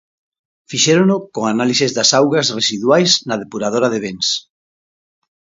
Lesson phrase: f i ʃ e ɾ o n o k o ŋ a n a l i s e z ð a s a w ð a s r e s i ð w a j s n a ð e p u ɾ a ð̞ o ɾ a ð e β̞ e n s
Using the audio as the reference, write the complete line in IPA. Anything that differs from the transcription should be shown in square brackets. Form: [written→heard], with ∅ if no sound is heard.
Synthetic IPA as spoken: f i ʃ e ɾ o n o k o ŋ a n a l i s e z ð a s a w [ð→ɣ] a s r e s i ð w a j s n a ð e p u ɾ a ð̞ o ɾ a ð e β̞ e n s